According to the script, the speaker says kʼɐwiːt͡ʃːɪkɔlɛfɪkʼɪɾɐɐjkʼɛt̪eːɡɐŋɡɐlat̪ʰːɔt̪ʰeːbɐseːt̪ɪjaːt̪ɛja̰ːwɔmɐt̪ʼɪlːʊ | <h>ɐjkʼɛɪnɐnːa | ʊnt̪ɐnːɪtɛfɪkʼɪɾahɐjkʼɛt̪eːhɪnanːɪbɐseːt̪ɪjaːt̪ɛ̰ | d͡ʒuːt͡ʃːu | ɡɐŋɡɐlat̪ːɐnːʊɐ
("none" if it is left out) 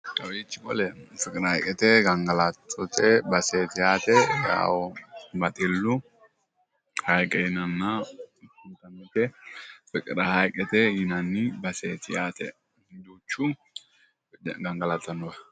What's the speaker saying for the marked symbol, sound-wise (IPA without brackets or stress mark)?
h